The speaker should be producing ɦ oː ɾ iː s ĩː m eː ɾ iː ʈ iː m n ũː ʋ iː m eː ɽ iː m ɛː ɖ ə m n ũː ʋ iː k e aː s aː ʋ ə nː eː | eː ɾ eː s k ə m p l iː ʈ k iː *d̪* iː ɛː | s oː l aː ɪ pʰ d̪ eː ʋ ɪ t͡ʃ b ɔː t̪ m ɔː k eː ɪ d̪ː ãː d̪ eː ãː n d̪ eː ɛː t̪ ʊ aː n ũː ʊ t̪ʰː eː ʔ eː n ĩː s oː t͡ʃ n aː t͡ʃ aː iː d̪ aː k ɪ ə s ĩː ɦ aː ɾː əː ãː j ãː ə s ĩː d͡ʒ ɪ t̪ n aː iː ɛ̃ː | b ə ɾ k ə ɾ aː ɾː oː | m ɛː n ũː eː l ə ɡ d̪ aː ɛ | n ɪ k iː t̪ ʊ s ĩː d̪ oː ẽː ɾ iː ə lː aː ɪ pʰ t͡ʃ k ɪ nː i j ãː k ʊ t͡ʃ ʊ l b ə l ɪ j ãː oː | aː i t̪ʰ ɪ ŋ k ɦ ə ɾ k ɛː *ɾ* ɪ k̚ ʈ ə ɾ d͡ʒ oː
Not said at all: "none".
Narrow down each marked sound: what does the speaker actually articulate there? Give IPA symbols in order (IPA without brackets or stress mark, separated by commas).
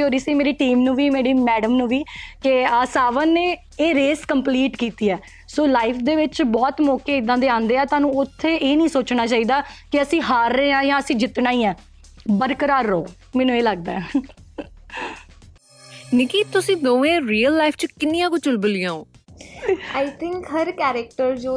t̪, ɾ